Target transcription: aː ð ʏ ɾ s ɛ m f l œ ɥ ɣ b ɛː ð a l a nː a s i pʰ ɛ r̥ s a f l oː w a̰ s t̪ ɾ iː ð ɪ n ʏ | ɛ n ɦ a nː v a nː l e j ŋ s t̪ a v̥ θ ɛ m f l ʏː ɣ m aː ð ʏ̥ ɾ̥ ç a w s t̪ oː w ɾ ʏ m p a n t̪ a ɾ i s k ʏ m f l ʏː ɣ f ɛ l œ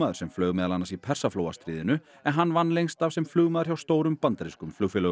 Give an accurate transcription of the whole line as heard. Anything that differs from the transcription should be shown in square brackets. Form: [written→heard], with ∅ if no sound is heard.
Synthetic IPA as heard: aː ð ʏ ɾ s ɛ m f l œ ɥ ɣ [b→m] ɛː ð a l a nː a s i pʰ ɛ r̥ s a f l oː w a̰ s t̪ ɾ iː ð ɪ n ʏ | ɛ n ɦ a nː v a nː l e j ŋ s t̪ a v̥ [θ→s] ɛ m f l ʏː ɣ m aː ð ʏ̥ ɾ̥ ç a w s t̪ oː w ɾ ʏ m p a n t̪ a ɾ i s k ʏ m f l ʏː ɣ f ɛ l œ